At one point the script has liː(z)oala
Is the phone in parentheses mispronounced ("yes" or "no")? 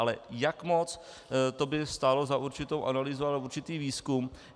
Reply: no